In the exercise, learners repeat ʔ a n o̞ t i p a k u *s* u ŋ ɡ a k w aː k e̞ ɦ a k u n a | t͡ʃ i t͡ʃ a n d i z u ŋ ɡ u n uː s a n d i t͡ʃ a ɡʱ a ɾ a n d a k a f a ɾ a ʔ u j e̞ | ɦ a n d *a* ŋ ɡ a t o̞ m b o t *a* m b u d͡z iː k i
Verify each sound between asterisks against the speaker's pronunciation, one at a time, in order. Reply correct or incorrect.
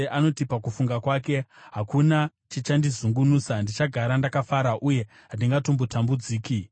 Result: incorrect, incorrect, correct

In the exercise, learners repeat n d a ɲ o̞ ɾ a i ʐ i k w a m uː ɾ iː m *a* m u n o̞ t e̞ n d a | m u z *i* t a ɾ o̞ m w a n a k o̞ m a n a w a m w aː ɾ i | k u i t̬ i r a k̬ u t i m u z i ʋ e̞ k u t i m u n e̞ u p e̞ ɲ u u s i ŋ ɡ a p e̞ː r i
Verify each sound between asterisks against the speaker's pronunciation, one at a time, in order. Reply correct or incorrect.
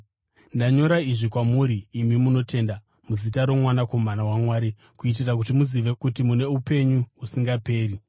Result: incorrect, correct

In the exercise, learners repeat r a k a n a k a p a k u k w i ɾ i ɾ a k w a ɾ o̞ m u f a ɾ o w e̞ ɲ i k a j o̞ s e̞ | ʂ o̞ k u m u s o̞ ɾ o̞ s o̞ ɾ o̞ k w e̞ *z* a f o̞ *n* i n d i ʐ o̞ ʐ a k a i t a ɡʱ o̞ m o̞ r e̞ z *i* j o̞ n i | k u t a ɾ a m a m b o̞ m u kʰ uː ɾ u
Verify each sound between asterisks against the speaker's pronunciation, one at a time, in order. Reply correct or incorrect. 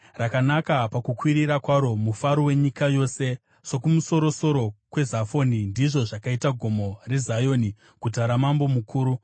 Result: correct, correct, incorrect

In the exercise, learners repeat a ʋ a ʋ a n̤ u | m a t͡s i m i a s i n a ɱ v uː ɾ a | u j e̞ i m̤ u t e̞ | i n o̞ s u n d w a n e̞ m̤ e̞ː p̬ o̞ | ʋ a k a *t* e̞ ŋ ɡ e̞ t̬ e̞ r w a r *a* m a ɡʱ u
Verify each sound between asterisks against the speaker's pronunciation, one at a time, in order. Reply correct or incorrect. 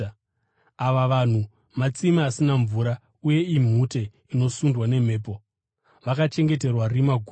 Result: incorrect, incorrect

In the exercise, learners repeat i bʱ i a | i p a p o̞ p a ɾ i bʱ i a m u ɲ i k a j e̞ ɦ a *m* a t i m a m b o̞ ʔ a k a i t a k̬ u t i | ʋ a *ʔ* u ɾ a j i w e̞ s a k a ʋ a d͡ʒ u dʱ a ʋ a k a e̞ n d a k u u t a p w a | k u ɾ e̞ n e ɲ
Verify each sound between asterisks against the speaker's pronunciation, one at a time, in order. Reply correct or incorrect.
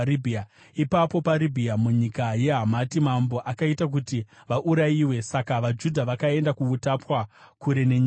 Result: correct, correct

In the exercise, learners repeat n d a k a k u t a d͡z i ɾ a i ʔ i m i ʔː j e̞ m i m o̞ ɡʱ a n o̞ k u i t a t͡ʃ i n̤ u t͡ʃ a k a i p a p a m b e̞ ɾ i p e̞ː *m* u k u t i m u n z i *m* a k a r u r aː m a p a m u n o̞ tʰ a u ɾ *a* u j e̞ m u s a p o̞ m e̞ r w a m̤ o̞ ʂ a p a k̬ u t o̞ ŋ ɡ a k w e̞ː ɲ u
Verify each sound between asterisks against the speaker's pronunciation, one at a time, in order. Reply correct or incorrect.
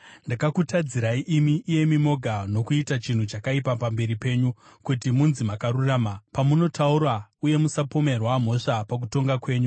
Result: incorrect, correct, correct

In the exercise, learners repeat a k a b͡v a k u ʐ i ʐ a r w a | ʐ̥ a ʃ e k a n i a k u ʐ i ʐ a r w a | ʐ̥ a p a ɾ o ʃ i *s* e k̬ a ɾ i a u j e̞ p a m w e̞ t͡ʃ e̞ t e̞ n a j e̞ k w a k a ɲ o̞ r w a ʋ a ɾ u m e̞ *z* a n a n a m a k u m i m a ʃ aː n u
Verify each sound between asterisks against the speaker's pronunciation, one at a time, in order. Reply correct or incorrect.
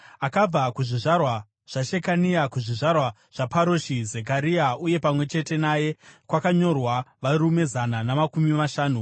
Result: incorrect, correct

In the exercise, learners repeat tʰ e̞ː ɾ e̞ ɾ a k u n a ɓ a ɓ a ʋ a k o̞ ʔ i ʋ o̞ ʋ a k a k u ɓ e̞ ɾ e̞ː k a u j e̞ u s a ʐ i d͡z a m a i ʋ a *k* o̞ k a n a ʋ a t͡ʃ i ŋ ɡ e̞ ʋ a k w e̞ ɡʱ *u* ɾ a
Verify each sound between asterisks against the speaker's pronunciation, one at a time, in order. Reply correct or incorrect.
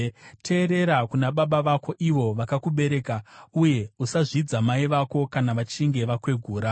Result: correct, incorrect

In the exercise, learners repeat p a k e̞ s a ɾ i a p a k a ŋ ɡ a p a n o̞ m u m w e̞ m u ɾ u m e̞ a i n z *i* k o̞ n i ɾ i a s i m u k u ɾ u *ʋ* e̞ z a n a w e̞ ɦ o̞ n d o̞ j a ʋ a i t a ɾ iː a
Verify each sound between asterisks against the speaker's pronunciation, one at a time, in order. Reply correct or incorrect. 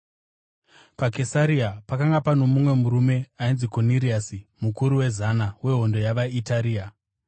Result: correct, incorrect

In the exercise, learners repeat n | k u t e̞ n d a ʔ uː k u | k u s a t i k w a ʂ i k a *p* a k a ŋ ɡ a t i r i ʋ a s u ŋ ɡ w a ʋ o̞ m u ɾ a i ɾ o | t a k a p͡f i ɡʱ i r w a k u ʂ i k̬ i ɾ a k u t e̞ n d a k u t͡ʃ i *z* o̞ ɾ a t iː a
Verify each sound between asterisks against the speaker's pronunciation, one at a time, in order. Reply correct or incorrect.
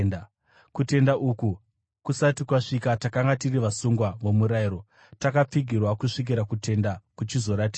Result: incorrect, correct

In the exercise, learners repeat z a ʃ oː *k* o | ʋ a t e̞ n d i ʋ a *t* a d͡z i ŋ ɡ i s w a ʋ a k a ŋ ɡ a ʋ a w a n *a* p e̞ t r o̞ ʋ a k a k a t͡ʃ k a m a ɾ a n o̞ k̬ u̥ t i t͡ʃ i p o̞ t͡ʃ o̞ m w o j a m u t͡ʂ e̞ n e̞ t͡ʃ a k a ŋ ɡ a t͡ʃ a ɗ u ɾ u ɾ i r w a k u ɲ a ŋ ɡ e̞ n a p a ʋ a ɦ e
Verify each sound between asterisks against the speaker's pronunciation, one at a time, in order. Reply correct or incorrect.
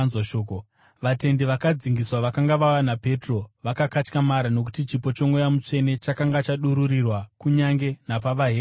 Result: correct, incorrect, correct

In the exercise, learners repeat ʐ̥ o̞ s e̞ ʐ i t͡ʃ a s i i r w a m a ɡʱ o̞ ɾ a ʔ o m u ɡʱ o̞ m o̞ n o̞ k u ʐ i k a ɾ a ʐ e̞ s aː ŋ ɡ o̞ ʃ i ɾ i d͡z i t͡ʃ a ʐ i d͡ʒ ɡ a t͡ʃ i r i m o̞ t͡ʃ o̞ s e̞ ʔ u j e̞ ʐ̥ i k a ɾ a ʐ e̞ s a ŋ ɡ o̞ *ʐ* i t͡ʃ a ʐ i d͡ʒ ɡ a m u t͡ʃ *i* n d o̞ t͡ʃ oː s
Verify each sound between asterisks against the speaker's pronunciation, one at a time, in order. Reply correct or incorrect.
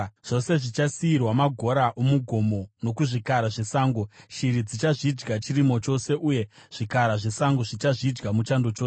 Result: correct, incorrect

